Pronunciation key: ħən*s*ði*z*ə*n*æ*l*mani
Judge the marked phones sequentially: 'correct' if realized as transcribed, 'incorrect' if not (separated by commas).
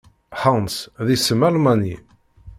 correct, incorrect, incorrect, correct